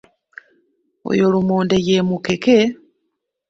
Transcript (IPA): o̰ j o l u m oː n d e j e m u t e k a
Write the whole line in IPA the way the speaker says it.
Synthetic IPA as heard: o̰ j o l u m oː n d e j e m u k e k e